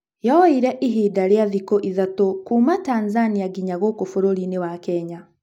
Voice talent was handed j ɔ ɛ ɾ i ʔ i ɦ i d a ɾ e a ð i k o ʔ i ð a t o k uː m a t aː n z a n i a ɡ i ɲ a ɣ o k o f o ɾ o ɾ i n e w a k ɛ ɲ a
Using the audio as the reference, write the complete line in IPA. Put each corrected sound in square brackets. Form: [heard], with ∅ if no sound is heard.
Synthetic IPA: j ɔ [i] ɾ [ɛ] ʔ i ɦ i d a ɾ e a ð i k o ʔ i ð a t o k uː m a t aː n z a n i a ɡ i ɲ a ɣ o k o f o ɾ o ɾ i n e w a k ɛ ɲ a